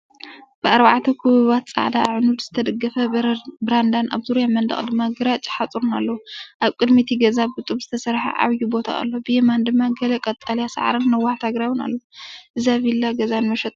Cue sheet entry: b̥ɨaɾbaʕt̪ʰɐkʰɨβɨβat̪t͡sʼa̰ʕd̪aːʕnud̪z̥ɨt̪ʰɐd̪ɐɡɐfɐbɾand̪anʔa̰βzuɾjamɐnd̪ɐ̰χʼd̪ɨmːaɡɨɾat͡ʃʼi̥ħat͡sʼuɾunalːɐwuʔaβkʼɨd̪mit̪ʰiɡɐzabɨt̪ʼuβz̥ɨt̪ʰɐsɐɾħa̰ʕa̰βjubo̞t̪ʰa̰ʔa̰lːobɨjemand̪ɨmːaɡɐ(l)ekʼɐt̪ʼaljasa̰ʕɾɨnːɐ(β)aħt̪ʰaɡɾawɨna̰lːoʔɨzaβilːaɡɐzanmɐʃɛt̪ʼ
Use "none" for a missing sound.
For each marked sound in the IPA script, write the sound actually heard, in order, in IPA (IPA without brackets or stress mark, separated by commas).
l, w